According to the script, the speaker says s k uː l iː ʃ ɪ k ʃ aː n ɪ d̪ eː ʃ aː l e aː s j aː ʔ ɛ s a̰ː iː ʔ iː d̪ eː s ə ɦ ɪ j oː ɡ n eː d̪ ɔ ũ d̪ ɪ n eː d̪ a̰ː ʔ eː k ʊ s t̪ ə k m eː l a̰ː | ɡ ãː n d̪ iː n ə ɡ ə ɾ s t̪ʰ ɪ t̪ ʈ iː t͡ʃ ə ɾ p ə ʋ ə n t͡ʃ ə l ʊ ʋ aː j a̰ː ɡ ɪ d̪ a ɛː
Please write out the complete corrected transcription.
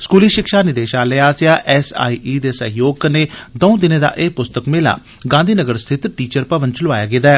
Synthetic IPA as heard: s k uː l iː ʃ ɪ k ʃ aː n ɪ d̪ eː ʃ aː l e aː s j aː ʔ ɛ s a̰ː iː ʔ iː d̪ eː s ə ɦ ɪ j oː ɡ n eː d̪ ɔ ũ d̪ ɪ n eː d̪ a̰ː ʔ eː p ʊ s t̪ ə k m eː l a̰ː | ɡ ãː n d̪ iː n ə ɡ ə ɾ s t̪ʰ ɪ t̪ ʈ iː t͡ʃ ə ɾ p ə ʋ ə n t͡ʃ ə l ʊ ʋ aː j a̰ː ɡ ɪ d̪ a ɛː

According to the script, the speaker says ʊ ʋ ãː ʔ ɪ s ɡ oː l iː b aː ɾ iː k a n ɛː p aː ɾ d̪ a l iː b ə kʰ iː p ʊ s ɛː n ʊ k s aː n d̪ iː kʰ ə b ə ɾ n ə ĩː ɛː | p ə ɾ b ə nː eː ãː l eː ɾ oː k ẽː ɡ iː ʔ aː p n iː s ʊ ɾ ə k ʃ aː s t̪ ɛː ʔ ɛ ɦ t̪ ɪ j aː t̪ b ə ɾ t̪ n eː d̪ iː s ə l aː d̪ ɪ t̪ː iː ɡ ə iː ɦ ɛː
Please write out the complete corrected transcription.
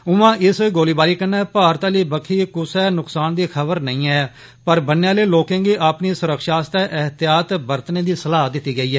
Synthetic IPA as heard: ʊ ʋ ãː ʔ ɪ s ɡ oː l iː b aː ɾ iː k ə n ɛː p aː ɾ t̪ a l iː b ə kʰ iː k ʊ s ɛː n ʊ k s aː n d̪ iː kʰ ə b ə ɾ n ə ĩː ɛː | p ə ɾ b ə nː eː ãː l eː l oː k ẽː ɡ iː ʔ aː p n iː s ʊ ɾ ə k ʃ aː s t̪ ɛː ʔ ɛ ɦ t̪ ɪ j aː t̪ b ə ɾ t̪ n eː d̪ iː s ə l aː d̪ ɪ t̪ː iː ɡ ə iː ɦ ɛː

